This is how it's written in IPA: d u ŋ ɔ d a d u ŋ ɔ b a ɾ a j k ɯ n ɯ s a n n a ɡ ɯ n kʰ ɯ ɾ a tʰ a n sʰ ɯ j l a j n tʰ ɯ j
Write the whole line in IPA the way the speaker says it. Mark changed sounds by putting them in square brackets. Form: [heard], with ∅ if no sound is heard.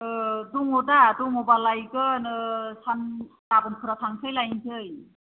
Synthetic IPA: d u ŋ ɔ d a d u ŋ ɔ b a [l] a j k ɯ n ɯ s a n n a [b] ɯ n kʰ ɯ ɾ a tʰ a [ŋ] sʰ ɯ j l a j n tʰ ɯ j